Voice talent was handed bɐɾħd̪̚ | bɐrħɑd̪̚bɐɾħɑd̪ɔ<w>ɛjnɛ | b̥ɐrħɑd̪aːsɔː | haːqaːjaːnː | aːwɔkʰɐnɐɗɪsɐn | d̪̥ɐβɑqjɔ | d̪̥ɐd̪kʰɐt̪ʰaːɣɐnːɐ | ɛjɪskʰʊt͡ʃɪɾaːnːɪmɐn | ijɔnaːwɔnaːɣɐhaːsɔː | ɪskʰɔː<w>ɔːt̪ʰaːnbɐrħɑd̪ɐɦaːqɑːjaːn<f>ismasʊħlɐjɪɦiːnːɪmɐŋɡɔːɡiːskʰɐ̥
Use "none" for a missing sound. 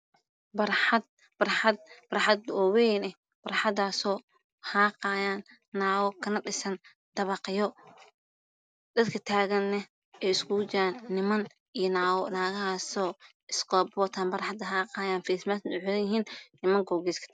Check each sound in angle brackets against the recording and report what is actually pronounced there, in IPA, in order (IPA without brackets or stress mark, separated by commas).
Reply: w, b, f